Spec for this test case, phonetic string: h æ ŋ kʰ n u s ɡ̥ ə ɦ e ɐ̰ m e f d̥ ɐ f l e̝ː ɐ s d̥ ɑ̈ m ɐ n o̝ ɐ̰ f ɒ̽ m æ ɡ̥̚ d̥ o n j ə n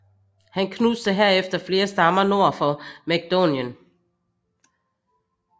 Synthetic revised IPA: h æ n kʰ n u s d̥ ə ɦ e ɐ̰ e f d̥ ɐ f l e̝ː ɐ s d̥ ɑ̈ m ɐ n o̝ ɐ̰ f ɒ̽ m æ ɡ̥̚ d̥ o n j ə n